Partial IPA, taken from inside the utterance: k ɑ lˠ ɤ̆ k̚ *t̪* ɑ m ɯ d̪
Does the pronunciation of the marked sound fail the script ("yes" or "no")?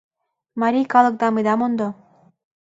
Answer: yes